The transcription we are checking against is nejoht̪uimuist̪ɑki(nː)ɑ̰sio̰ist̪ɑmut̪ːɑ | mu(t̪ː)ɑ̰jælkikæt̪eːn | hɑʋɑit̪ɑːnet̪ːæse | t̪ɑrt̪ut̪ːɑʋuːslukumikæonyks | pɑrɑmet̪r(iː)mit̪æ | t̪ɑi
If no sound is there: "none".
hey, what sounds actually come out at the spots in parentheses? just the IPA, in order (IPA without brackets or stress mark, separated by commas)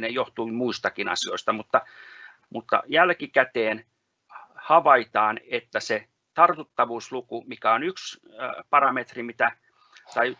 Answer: n, t̪ː, i